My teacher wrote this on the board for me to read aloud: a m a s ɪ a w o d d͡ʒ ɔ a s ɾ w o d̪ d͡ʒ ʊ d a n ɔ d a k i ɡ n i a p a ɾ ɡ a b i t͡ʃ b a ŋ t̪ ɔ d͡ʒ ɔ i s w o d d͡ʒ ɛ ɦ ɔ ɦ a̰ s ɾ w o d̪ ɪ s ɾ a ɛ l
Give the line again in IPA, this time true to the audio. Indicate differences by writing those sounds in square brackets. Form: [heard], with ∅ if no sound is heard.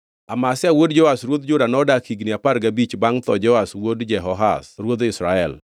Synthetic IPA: a m a s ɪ a w o d d͡ʒ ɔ a s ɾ w o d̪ d͡ʒ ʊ d a n ɔ d a k i ɡ n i a p a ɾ ɡ a b i t͡ʃ b a ŋ t̪ ɔ d͡ʒ ɔ [a] s w o d d͡ʒ ɛ ɦ ɔ ɦ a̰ s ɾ w o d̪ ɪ s ɾ a ɛ l